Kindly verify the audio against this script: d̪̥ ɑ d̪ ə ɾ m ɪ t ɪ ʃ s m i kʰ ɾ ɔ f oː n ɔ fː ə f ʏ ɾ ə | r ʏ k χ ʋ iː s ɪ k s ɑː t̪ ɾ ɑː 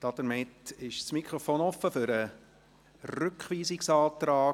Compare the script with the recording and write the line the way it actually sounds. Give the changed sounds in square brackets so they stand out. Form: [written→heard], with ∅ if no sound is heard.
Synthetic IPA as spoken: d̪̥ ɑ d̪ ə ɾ m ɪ t ɪ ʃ s m i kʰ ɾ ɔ f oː n ɔ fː ə f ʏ ɾ ə | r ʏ k χ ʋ iː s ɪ k s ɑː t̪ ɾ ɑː